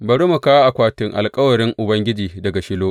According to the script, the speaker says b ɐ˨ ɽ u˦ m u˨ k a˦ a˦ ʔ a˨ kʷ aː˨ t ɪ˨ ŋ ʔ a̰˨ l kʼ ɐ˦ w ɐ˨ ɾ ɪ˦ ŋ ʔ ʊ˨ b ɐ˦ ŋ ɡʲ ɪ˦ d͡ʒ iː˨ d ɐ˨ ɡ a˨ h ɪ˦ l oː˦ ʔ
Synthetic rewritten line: b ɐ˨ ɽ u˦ m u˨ k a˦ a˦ ʔ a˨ kʷ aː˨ t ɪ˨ ŋ ʔ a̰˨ l kʼ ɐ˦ w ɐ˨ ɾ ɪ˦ ŋ ʔ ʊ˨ b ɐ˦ ŋ ɡʲ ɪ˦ d͡ʒ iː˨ d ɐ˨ ɡ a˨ ʃ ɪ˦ l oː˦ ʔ